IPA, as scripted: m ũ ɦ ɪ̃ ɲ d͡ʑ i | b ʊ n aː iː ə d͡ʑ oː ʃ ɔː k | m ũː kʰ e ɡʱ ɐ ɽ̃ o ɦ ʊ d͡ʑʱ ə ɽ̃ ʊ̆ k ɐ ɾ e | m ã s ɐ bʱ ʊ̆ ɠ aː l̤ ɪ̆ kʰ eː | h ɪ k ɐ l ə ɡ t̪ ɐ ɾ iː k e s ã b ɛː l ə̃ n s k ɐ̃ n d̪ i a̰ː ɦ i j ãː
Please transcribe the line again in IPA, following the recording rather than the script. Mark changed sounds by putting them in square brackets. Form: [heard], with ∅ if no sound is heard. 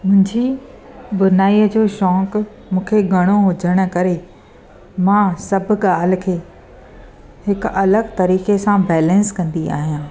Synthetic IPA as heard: m [ʊ̃] ɦ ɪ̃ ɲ d͡ʑ i | b ʊ n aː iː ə d͡ʑ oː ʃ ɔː k | m ũː kʰ e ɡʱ ɐ ɽ̃ o ɦ ʊ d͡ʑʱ ə ɽ̃ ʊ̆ k ɐ ɾ e | m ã s ɐ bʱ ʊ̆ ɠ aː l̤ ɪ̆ kʰ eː | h ɪ k ɐ l ə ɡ t̪ ɐ ɾ iː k e s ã b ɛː l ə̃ n s k ɐ̃ n d̪ i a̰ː ɦ i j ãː

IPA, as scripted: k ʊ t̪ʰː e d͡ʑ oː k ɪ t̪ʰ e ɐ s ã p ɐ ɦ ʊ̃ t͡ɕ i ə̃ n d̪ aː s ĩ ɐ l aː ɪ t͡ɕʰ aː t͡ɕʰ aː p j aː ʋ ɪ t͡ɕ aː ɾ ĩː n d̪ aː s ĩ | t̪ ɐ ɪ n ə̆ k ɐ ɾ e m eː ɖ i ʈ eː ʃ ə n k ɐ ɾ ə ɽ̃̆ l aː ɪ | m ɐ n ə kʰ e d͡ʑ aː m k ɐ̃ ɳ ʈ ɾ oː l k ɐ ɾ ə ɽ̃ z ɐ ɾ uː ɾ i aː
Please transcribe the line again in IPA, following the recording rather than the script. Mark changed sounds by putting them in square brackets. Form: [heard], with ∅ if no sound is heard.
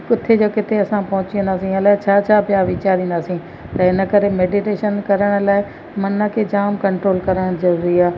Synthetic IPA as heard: k ʊ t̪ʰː e d͡ʑ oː k ɪ t̪ʰ e ɐ s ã p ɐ ɦ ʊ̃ t͡ɕ i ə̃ n d̪ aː s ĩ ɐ l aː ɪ t͡ɕʰ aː t͡ɕʰ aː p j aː ʋ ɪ t͡ɕ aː ɾ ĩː n d̪ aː s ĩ | t̪ ɐ ɪ n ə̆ k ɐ ɾ e m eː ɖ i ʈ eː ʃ ə n k ɐ ɾ ə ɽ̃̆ l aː ɪ | m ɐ n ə kʰ e d͡ʑ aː m k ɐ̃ ɳ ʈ ɾ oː l k ɐ ɾ ə ɽ̃ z ɐ ɾ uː ɾ i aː

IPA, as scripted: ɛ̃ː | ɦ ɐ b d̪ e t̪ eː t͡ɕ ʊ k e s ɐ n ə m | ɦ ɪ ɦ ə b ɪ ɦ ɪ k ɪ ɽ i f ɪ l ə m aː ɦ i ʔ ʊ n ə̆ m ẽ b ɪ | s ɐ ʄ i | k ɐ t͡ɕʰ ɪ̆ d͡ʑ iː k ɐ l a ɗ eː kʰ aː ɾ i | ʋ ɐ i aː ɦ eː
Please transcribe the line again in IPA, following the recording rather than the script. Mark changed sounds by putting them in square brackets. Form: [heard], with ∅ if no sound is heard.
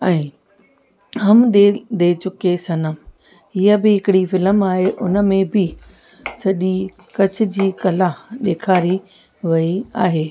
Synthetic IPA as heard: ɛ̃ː | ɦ ɐ [m] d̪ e [d̪] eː t͡ɕ ʊ k e s ɐ n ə m | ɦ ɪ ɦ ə b ɪ ɦ ɪ k ɪ ɽ i f ɪ l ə m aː ɦ [e] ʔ ʊ n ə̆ m ẽ b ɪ | s ɐ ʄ i | k ɐ t͡ɕʰ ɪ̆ d͡ʑ iː k ɐ l a ɗ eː kʰ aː ɾ i | ʋ ɐ i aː ɦ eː

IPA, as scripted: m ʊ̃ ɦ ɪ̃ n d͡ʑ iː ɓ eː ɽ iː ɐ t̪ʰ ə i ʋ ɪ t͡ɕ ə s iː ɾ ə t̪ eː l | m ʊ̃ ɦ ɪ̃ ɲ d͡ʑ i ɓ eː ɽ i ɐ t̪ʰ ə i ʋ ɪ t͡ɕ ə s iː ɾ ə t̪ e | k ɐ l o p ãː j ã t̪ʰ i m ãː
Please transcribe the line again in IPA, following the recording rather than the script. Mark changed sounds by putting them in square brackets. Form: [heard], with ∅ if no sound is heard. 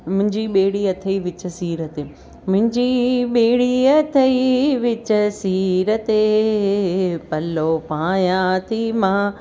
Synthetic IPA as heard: m ʊ̃ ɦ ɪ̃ [ɲ] d͡ʑ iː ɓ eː ɽ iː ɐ t̪ʰ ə i ʋ ɪ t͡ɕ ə s iː ɾ ə t̪ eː [∅] | m ʊ̃ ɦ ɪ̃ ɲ d͡ʑ i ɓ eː ɽ i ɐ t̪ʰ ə i ʋ ɪ t͡ɕ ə s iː ɾ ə t̪ e | [p] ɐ l o p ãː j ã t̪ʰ i m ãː

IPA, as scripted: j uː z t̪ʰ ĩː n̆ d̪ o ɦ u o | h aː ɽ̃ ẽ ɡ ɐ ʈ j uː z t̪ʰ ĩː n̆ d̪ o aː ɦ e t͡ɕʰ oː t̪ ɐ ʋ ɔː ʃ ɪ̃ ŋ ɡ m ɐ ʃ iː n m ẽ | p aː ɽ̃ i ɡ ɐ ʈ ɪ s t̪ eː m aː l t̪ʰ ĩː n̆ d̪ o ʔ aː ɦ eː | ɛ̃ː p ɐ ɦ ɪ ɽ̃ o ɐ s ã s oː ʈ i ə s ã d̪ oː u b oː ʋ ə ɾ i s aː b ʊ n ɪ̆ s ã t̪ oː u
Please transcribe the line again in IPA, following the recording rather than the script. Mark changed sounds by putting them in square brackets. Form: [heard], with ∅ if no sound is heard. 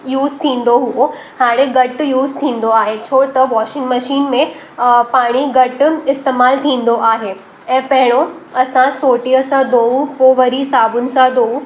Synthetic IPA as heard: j uː z t̪ʰ ĩː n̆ d̪ o ɦ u o | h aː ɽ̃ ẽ ɡ ɐ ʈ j uː z t̪ʰ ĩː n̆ d̪ o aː ɦ e t͡ɕʰ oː t̪ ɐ ʋ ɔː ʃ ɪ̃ ŋ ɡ m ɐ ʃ iː n m ẽ | p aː ɽ̃ i ɡ ɐ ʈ ɪ s t̪ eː m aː l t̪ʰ ĩː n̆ d̪ o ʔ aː ɦ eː | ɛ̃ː p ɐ ɦ ɪ ɽ̃ o ɐ s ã s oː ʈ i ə s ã d̪ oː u [p] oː ʋ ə ɾ i s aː b ʊ n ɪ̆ s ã [d̪] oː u

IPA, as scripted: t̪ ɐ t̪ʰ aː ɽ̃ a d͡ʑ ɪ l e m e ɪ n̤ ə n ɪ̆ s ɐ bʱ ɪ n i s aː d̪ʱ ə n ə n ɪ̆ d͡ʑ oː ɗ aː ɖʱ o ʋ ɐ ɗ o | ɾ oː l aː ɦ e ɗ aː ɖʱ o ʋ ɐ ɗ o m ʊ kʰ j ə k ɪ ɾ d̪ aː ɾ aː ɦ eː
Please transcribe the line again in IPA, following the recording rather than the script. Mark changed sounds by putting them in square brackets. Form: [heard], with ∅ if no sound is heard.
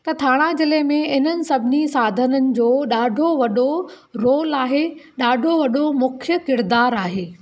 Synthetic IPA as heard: t̪ ɐ t̪ʰ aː ɽ̃ a d͡ʑ ɪ l e m [ẽ] ɪ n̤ ə n ɪ̆ s ɐ bʱ ɪ n i s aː d̪ʱ ə n ə n ɪ̆ d͡ʑ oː ɗ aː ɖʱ o ʋ ɐ ɗ o | ɾ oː l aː ɦ e ɗ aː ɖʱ o ʋ ɐ ɗ o m ʊ kʰ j ə k ɪ ɾ d̪ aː ɾ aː ɦ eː

